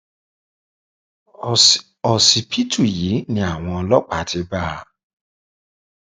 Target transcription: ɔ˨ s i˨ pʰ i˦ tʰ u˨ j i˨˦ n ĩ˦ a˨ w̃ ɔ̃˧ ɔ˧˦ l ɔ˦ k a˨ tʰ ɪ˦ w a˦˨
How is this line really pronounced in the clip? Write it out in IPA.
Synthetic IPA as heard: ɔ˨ s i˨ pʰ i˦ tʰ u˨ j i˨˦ n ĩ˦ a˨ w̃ ɔ̃˧ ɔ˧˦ l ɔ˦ k͡p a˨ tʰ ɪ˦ b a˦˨